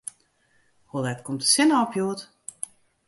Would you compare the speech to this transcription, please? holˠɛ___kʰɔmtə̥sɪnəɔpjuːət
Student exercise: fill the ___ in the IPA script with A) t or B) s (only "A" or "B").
A